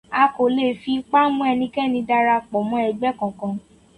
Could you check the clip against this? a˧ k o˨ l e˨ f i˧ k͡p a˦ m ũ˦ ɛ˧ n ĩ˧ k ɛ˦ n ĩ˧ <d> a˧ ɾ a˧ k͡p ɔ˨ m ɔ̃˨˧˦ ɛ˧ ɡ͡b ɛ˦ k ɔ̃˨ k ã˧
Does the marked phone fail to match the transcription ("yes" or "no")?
no